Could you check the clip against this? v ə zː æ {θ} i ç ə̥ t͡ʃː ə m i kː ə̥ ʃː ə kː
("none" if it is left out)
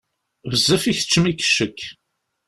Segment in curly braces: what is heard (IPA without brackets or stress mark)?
f